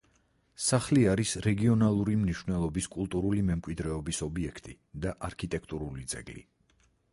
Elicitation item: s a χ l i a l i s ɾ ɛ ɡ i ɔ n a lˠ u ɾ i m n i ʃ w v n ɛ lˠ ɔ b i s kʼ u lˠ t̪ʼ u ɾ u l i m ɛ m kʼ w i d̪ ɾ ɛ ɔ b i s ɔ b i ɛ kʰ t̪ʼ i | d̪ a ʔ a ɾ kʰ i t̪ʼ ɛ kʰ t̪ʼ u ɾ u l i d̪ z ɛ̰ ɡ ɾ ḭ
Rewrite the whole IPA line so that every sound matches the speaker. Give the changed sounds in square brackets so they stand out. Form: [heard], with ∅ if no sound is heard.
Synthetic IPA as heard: s a χ l i a [ɾ] i s ɾ ɛ ɡ i ɔ n a lˠ u ɾ i m n i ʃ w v n ɛ lˠ ɔ b i s kʼ u lˠ t̪ʼ u ɾ u l i m ɛ m kʼ w i d̪ ɾ ɛ ɔ b i s ɔ b i ɛ kʰ t̪ʼ i | d̪ a ʔ a ɾ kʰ i t̪ʼ ɛ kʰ t̪ʼ u ɾ u l i d̪ z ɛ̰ ɡ [l] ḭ